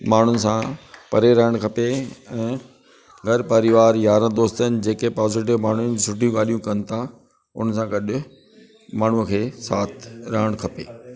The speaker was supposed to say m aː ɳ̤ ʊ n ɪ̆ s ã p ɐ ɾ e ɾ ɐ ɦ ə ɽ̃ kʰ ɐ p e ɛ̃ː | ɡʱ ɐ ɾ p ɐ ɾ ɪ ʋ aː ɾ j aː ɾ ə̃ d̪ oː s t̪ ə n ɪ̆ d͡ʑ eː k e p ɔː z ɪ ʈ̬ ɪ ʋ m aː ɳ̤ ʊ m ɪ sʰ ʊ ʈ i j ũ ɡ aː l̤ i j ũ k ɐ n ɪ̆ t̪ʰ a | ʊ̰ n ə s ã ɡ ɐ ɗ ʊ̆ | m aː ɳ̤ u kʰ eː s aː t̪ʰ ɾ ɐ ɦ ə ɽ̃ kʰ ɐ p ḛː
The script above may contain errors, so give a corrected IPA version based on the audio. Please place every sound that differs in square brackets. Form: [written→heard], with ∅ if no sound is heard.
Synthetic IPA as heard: m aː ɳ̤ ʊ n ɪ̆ s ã p ɐ ɾ e ɾ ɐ ɦ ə ɽ̃ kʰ ɐ p e ɛ̃ː | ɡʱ ɐ ɾ p ɐ ɾ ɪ ʋ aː ɾ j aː ɾ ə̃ d̪ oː s t̪ ə n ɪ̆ d͡ʑ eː k e p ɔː z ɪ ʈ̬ ɪ ʋ m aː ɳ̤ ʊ [m→n] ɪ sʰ ʊ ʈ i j ũ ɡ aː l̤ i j ũ k ɐ n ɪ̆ t̪ʰ a | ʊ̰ n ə s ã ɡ ɐ ɗ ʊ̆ | m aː ɳ̤ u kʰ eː s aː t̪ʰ ɾ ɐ ɦ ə ɽ̃ kʰ ɐ p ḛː